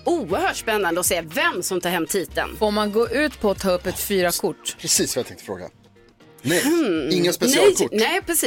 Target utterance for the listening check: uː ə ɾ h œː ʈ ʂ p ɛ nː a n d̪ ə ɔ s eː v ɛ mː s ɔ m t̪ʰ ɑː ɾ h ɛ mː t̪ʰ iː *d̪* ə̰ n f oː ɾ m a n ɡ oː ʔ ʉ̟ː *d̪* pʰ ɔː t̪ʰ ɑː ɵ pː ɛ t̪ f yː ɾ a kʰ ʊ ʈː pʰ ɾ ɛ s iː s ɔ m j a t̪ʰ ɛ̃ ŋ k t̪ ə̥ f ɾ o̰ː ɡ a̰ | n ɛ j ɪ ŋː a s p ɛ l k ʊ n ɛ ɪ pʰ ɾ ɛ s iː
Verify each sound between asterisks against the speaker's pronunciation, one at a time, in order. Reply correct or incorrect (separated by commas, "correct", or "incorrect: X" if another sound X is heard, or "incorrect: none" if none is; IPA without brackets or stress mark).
incorrect: t̪, incorrect: t̪